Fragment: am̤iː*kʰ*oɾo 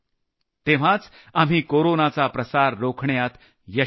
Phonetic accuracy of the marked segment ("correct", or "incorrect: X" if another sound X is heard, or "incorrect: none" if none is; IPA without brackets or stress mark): incorrect: k